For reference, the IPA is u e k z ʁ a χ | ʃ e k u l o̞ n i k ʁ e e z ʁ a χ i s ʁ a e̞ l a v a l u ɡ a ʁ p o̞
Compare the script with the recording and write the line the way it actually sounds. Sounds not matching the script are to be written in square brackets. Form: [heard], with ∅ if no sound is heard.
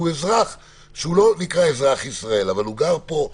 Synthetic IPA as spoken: u e [∅] z ʁ a χ | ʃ e [∅] u l o̞ n i k ʁ [a] e z ʁ a χ i s ʁ a e̞ l a v a l u ɡ a ʁ p o̞